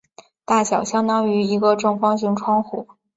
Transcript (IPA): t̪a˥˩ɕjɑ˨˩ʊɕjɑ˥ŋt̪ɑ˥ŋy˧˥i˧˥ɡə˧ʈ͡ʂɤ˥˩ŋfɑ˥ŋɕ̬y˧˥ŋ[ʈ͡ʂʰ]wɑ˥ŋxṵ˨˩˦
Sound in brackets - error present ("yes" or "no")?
no